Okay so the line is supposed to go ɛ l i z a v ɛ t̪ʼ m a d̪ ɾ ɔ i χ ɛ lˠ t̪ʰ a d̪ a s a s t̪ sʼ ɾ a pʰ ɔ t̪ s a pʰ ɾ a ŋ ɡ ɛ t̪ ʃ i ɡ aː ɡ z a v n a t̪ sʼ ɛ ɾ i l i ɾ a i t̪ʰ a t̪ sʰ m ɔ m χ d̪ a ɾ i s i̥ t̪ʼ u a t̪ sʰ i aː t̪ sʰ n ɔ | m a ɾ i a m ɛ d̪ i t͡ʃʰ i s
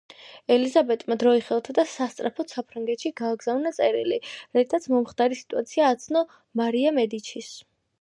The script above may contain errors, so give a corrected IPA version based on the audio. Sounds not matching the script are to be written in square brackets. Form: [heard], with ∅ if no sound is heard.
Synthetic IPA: ɛ l i z a [b] ɛ t̪ʼ m a d̪ ɾ ɔ i χ ɛ lˠ t̪ʰ a d̪ a s a s t̪ sʼ ɾ a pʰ ɔ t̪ s a pʰ ɾ a ŋ ɡ ɛ t̪ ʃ i ɡ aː ɡ z a v n a t̪ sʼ ɛ ɾ i l i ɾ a i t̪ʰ a t̪ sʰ m ɔ m χ d̪ a ɾ i s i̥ t̪ʼ u a t̪ sʰ i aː t̪ sʰ n ɔ | m a ɾ i a m ɛ d̪ i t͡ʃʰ i s